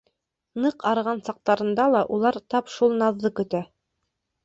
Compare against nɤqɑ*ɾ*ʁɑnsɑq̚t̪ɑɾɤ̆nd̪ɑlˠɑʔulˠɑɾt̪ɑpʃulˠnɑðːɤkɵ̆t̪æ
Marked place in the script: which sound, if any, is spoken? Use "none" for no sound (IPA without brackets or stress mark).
ɾ